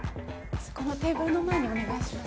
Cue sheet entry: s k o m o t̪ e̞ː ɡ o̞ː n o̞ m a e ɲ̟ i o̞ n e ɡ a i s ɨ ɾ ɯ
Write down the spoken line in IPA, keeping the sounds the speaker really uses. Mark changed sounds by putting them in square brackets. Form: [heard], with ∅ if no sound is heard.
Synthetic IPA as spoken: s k o [n] o t̪ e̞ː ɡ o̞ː n o̞ m a e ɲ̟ i o̞ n e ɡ a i s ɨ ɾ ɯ